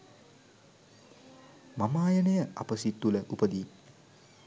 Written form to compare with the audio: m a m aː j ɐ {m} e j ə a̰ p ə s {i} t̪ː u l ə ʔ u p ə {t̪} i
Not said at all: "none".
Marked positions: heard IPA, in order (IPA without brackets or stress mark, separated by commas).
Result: n, i, d̪